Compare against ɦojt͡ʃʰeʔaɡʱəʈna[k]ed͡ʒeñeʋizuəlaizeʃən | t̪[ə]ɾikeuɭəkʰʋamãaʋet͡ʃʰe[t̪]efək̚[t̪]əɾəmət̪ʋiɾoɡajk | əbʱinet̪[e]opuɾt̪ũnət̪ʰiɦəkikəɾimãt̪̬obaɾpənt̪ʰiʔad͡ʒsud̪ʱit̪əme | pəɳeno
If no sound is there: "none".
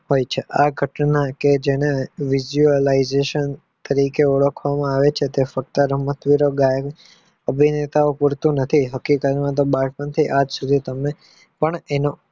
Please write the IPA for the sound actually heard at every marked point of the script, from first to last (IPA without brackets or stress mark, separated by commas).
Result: k, ə, t̪, t̪, a